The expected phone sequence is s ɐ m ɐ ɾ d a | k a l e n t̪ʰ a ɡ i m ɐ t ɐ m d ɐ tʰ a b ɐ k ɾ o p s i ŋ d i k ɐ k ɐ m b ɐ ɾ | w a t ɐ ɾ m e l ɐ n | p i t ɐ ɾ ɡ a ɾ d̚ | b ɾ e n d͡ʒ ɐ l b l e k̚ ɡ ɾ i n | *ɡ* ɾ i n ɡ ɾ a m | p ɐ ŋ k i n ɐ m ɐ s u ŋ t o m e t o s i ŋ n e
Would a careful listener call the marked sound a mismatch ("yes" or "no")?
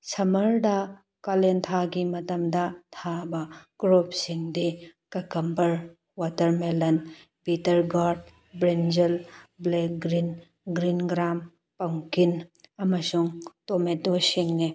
no